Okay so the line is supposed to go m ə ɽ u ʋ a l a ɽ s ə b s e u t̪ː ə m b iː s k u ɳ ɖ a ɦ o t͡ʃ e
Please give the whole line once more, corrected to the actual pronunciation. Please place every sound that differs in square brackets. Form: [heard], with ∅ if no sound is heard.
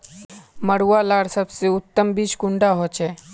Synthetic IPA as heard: m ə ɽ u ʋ a l a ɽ s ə b s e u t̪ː ə m b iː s k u ɳ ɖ a ɦ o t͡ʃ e